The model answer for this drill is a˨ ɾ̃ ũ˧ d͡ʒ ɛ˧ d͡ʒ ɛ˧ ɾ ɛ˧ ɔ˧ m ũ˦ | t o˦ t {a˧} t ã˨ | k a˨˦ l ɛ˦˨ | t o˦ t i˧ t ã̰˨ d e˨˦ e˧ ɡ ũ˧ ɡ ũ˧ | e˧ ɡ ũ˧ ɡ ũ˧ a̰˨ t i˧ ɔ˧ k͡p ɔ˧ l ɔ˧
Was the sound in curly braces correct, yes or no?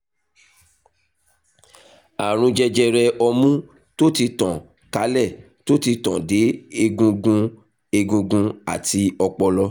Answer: no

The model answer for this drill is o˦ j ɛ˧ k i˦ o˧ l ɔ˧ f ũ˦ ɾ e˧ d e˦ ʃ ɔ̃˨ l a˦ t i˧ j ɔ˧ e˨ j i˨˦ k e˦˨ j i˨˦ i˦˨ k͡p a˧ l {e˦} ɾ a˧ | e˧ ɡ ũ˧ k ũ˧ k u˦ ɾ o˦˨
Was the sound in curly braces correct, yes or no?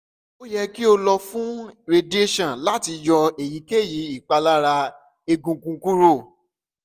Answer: no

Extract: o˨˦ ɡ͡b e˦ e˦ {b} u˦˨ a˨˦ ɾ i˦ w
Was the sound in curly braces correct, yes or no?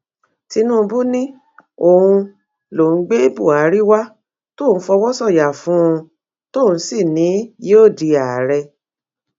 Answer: yes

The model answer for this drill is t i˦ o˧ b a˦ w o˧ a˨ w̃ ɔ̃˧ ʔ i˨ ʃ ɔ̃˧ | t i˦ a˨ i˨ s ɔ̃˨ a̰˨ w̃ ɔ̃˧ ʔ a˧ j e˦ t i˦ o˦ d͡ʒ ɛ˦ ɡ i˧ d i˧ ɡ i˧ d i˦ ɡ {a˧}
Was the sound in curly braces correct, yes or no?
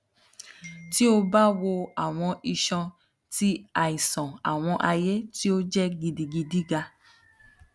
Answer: yes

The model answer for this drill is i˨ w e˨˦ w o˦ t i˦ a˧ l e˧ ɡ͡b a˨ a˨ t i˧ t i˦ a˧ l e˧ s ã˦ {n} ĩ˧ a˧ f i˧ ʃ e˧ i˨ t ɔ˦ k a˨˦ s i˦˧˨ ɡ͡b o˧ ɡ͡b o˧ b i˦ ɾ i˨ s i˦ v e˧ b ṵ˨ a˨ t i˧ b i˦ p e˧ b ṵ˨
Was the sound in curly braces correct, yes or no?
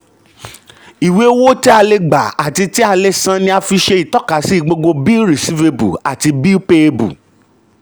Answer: yes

